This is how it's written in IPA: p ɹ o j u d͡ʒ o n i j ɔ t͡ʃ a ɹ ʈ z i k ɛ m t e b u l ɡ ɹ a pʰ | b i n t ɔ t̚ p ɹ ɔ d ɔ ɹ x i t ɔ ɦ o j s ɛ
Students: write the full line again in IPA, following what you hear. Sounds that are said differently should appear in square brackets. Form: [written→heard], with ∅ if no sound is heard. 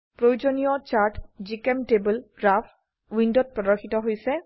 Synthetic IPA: p ɹ o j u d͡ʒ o n i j ɔ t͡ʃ a ɹ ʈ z i k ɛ m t e b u l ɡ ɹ a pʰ | [b→w] i n [t→d] ɔ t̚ p ɹ ɔ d ɔ ɹ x i t ɔ ɦ o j s ɛ